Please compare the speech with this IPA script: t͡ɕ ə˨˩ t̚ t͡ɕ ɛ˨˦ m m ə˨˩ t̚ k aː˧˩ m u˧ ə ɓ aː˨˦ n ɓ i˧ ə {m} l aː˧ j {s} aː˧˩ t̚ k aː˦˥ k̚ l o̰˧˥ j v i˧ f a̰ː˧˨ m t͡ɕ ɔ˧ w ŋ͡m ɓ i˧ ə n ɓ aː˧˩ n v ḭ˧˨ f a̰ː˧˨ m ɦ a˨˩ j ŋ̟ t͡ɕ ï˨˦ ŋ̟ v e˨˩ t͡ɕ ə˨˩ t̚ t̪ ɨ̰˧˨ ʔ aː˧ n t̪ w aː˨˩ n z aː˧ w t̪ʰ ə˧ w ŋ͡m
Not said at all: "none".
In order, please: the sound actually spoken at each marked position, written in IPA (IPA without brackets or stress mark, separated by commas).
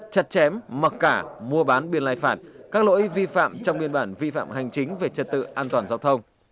n, f